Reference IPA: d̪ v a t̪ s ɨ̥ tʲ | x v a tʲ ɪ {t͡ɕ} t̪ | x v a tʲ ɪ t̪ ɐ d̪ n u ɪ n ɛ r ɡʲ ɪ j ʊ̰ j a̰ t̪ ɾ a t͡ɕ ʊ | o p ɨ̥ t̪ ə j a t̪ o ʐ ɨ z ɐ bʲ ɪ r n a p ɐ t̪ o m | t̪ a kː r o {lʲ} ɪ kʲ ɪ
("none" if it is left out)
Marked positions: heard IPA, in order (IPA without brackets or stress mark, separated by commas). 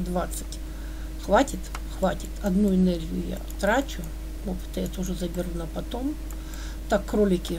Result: none, lʲ